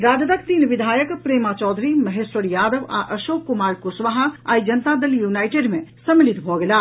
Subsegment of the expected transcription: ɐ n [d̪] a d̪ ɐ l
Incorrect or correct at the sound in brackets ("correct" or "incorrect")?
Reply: incorrect